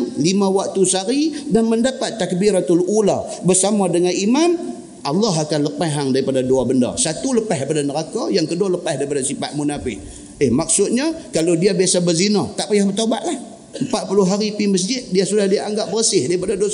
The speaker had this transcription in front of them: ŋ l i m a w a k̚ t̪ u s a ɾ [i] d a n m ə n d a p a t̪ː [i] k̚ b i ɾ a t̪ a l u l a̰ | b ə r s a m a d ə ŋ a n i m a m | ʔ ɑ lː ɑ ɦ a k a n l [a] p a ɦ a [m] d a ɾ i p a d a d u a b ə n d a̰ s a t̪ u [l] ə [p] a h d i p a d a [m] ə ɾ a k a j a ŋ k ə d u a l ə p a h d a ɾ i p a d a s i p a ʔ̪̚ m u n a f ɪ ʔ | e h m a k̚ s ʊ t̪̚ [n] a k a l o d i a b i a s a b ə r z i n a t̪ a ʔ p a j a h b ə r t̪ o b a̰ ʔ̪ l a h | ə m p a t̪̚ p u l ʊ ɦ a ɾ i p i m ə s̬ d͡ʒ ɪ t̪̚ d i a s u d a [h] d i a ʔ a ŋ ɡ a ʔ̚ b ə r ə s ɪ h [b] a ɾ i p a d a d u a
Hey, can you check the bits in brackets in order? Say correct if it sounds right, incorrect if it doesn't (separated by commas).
correct, incorrect, incorrect, incorrect, correct, correct, incorrect, incorrect, correct, incorrect